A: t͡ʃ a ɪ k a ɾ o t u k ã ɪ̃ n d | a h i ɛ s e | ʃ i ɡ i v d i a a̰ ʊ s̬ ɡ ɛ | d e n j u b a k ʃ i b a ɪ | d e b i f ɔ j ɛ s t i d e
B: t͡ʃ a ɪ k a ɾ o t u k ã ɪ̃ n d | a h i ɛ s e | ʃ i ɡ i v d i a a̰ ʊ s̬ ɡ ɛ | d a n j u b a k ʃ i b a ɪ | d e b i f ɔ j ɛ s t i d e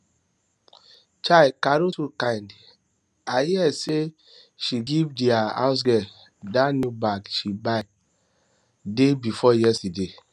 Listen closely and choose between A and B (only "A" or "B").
B